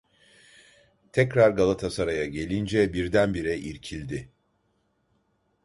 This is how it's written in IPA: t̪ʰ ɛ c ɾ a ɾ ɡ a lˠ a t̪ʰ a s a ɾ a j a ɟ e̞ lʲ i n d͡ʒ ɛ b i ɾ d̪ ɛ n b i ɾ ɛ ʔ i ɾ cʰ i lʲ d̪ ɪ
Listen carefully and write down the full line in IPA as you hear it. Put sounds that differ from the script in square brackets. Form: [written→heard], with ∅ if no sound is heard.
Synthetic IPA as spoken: t̪ʰ ɛ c ɾ a ɾ ɡ a lˠ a t̪ʰ a s a ɾ a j a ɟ e̞ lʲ i n d͡ʒ ɛ b i ɾ d̪ [ɛ→æ] n b i ɾ ɛ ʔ i ɾ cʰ i lʲ d̪ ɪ